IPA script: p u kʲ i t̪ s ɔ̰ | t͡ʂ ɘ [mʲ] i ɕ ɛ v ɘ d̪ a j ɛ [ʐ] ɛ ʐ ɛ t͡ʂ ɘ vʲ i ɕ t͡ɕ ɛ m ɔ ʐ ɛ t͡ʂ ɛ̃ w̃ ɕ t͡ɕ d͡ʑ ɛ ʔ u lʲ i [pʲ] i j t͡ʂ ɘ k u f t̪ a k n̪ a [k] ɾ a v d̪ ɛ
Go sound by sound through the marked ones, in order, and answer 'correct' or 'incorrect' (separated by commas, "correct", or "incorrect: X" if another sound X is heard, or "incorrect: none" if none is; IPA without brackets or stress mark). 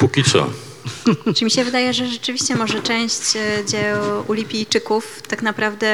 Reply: correct, correct, correct, incorrect: p